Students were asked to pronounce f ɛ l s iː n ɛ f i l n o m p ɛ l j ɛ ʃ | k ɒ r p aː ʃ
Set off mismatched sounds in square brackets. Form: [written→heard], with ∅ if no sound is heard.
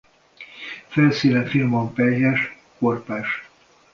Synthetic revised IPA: f ɛ l s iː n ɛ f i l [n→m] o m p ɛ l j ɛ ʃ | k [ɒ→o] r p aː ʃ